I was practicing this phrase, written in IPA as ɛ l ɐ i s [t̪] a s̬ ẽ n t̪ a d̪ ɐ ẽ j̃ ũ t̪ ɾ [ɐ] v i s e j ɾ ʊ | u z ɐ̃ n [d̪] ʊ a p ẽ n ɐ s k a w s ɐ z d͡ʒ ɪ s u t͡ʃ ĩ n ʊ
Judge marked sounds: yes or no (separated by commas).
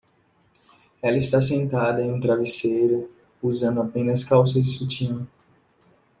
yes, no, yes